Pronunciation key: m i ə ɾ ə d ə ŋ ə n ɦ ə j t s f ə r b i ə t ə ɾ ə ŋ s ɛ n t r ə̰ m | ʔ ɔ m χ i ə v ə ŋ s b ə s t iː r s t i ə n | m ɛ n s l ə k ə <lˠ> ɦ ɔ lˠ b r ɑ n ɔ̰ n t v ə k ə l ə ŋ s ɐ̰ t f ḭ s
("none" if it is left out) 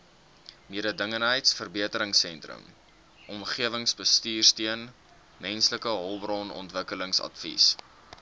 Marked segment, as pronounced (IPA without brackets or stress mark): none